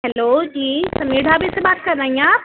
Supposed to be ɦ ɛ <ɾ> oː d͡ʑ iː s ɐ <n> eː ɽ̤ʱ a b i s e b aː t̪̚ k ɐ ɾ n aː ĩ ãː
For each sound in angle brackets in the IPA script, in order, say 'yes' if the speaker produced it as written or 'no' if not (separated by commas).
no, no